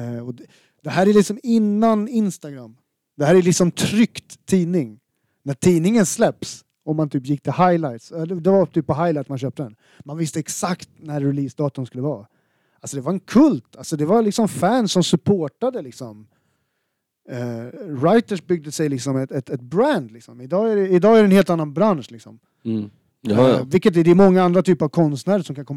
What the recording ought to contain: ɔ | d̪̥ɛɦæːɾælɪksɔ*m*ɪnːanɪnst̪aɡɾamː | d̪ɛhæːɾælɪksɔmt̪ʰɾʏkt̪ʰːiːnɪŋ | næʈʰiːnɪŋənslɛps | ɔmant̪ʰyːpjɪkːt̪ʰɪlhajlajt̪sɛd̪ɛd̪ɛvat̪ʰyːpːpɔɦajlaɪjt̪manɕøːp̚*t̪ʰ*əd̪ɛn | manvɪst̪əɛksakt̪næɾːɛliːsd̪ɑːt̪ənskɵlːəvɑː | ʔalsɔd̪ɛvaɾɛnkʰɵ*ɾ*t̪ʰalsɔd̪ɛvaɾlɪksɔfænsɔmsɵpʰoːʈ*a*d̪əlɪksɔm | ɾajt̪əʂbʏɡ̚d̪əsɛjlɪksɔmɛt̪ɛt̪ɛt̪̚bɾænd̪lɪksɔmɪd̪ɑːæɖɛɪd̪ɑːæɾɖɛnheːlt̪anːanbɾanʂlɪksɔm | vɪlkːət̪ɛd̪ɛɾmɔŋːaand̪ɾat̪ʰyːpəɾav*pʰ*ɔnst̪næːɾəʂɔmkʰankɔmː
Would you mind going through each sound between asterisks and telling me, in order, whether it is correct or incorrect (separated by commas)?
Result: correct, incorrect, incorrect, correct, incorrect